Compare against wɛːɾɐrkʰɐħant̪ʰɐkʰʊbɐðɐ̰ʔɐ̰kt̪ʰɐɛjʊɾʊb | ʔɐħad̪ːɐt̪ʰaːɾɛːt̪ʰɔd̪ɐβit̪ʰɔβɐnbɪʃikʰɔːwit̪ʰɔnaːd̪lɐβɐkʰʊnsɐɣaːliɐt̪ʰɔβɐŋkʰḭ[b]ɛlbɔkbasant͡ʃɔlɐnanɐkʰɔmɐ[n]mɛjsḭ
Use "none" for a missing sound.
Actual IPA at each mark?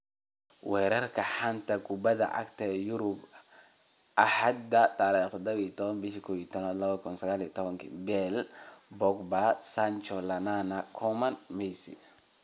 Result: b, n

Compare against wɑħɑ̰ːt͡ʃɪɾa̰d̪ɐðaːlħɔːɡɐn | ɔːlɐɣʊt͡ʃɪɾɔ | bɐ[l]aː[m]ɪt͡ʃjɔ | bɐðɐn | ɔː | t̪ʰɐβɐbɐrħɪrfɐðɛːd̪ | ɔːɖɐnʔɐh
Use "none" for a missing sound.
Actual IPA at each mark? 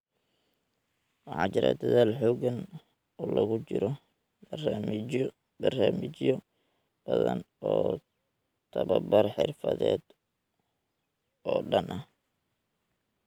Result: r, m

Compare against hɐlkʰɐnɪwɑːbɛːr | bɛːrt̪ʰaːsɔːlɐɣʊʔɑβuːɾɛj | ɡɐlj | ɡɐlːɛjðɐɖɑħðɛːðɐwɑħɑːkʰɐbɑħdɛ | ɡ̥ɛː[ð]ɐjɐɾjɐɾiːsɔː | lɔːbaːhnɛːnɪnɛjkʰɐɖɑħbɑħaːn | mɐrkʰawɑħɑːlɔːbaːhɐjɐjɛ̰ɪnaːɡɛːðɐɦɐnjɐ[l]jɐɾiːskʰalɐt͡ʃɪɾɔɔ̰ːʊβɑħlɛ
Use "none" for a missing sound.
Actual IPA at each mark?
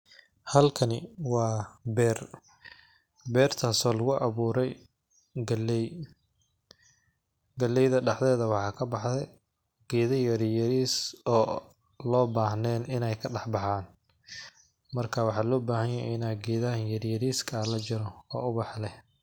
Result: ð, ɾ

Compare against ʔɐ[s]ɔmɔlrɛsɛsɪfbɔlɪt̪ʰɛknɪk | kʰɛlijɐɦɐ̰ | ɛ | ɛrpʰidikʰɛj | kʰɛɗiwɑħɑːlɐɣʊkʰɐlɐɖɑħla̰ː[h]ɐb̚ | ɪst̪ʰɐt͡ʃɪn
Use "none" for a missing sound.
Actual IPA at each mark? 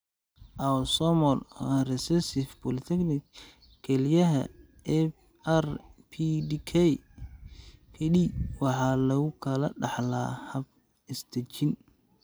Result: s, h

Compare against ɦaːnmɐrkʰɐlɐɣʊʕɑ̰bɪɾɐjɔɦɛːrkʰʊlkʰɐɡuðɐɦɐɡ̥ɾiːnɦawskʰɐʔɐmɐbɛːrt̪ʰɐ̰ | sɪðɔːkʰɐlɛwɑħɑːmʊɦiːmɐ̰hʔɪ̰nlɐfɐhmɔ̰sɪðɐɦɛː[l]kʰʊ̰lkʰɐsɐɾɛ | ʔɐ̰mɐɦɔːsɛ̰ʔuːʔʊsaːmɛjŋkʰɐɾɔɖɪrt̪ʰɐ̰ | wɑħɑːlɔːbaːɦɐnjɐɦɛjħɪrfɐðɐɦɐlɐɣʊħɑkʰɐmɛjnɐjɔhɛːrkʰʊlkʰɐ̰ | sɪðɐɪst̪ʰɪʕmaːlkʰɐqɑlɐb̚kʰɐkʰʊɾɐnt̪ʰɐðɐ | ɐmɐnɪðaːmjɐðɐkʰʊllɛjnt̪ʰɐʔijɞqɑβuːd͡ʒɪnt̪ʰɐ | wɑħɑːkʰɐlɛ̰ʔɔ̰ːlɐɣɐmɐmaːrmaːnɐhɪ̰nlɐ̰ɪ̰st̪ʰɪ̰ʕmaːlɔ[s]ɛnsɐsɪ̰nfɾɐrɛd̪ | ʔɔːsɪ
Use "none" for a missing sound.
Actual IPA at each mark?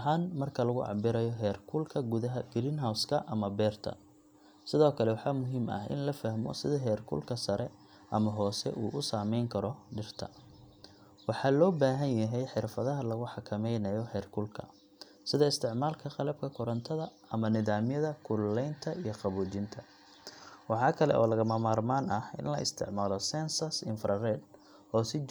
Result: r, s

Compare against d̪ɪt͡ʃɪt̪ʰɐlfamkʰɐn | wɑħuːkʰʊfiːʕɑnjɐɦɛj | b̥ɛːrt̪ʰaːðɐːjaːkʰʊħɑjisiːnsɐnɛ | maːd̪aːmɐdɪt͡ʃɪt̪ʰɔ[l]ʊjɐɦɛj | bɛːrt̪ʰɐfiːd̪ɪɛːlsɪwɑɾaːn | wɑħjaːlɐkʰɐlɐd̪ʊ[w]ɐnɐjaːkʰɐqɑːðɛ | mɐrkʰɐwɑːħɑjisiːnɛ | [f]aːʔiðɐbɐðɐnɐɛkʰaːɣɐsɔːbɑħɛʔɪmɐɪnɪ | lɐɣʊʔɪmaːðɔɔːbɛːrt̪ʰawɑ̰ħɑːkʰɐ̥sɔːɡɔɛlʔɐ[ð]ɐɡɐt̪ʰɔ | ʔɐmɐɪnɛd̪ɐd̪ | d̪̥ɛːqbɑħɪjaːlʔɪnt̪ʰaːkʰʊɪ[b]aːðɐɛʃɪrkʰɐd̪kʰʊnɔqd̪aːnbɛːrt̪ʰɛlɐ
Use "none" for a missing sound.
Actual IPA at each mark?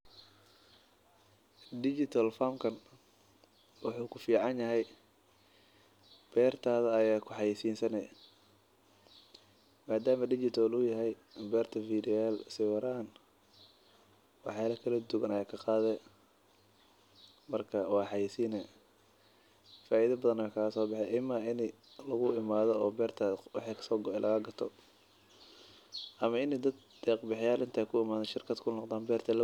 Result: l, ɣ, f, ɣ, m

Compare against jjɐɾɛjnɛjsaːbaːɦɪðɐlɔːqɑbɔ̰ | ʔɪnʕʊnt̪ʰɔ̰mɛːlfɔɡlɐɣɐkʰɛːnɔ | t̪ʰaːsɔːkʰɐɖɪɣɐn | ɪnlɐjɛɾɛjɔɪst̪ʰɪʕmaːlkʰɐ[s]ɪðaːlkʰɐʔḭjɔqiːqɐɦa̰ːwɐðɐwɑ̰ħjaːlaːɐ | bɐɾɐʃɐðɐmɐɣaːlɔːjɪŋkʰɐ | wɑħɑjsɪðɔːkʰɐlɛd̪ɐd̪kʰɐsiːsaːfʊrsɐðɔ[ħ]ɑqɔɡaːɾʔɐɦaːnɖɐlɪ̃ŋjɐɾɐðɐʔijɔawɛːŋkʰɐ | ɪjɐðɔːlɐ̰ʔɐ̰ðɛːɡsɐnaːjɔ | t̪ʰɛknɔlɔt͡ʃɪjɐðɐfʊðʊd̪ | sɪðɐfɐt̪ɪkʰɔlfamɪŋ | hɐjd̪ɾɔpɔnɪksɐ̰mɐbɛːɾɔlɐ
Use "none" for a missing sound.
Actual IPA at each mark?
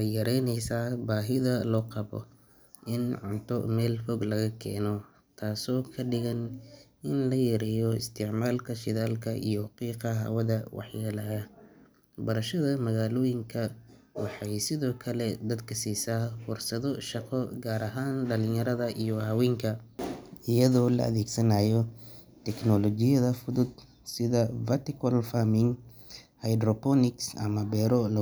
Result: ʃ, ʃ

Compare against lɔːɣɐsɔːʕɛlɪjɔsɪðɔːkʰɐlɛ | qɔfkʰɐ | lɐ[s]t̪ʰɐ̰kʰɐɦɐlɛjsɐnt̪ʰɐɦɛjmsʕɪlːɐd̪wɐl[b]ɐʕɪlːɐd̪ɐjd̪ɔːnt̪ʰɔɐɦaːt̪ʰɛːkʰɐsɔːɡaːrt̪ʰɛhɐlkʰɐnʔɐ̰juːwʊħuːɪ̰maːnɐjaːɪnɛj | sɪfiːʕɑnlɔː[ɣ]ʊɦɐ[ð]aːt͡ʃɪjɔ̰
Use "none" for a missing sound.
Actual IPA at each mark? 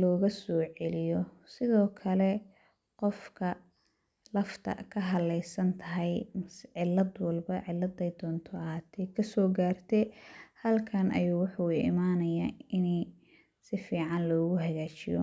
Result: f, b, ɣ, ɣ

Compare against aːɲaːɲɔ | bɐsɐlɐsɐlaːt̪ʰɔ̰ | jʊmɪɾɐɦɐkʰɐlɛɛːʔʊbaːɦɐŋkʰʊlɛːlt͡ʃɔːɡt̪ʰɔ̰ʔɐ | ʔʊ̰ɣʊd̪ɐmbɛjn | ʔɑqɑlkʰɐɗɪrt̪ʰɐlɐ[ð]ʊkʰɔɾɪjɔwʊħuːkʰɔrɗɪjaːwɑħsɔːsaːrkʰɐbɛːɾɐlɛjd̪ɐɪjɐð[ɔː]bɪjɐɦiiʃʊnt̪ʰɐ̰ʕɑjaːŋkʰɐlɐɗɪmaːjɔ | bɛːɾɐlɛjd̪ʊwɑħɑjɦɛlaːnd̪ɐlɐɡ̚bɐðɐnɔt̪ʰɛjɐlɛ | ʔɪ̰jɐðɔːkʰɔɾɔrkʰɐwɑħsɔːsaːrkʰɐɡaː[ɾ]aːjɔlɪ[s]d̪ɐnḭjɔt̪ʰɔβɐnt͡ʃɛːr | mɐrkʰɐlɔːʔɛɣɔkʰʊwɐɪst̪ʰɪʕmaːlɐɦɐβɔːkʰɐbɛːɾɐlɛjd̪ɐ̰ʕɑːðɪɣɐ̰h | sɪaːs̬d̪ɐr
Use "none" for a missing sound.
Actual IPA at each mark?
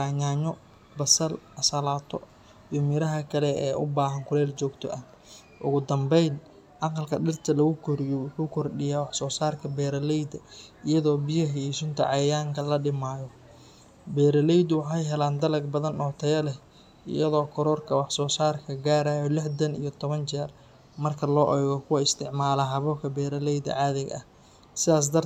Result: ɣ, ɔː, ɾ, ħ

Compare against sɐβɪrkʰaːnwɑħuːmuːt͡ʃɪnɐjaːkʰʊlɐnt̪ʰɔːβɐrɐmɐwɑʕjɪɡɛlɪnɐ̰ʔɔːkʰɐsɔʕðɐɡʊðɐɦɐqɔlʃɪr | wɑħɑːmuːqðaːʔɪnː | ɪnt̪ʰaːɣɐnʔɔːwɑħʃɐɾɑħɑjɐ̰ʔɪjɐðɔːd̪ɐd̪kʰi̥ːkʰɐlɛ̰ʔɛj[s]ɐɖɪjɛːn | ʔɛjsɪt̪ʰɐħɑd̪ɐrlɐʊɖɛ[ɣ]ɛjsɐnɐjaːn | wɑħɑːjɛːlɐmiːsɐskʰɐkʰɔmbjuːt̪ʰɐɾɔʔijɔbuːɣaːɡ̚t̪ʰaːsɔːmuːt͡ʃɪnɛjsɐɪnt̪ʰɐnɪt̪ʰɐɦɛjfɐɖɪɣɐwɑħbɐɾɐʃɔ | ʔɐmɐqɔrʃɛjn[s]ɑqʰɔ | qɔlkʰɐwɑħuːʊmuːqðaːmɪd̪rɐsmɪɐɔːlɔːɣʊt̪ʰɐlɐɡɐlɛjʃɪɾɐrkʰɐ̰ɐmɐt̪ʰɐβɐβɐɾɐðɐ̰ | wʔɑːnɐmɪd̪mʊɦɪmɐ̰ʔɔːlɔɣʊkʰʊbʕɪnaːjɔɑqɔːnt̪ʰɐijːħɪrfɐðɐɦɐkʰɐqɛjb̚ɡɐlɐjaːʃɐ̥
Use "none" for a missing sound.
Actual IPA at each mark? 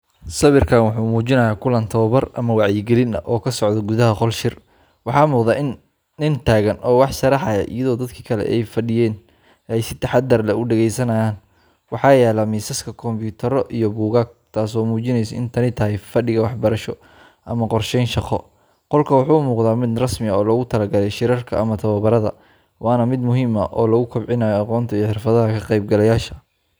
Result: f, ɣ, ʃ

